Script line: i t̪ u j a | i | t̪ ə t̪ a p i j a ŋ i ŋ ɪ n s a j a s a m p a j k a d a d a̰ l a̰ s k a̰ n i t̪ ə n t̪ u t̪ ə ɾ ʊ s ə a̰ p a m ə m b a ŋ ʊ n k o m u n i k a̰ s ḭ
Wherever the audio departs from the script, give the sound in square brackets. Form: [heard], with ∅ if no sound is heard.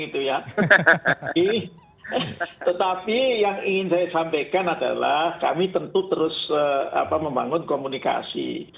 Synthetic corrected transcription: i t̪ u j a | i | t̪ ə t̪ a p i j a ŋ i ŋ ɪ n s a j a s a m p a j k a [n] a d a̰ l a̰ [h] k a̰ [m] i t̪ ə n t̪ u t̪ ə ɾ ʊ s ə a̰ p a m ə m b a ŋ ʊ n k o m u n i k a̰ s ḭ